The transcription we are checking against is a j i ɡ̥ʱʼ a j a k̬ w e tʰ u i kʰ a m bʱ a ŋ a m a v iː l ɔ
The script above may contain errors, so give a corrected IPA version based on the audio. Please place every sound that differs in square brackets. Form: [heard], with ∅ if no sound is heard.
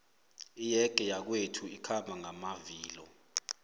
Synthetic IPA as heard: [i] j [ɛ] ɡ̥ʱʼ [ɛ] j a k̬ w e tʰ u i kʰ a m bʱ a ŋ a m a v iː l ɔ